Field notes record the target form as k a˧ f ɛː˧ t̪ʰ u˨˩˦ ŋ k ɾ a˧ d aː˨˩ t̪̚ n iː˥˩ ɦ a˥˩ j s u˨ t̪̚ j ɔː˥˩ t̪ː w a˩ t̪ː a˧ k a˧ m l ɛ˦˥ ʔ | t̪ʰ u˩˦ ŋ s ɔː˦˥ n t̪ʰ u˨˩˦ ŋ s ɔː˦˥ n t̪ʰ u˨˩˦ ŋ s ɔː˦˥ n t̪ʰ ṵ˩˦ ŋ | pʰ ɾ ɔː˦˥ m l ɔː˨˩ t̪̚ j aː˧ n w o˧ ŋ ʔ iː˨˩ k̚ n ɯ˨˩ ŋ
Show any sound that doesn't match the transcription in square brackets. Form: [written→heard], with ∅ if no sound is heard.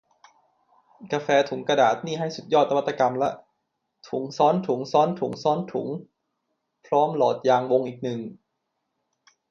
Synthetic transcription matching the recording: k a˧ f ɛː˧ t̪ʰ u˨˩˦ ŋ k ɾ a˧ d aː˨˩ t̪̚ n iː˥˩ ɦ a˥˩ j s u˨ t̪̚ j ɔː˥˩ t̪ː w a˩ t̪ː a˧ k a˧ m l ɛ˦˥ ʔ | t̪ʰ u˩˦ ŋ s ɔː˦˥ n t̪ʰ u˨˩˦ ŋ s ɔː˦˥ n t̪ʰ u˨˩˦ ŋ s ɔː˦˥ n t̪ʰ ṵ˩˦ ŋ | pʰ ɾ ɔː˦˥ m l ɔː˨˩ t̪̚ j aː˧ [n→ŋ] w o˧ ŋ ʔ iː˨˩ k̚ n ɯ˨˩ ŋ